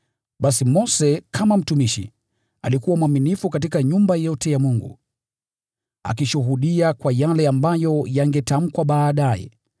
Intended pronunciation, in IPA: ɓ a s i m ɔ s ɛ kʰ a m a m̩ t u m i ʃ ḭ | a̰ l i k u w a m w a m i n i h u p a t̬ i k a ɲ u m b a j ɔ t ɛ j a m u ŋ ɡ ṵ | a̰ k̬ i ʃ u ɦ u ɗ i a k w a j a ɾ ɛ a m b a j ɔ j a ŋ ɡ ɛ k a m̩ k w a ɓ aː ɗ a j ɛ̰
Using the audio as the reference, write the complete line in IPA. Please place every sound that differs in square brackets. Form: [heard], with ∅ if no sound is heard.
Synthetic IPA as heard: ɓ a s i m ɔ s ɛ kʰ a m a m̩ t u m i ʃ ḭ | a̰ l i k u w a m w a m i n i [f] u [k] a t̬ i k a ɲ u m b a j ɔ t ɛ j a m u ŋ ɡ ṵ | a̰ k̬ i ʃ u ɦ u ɗ i a k w a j a [l] ɛ a m b a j ɔ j a ŋ ɡ ɛ [t] a m̩ k w a ɓ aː ɗ a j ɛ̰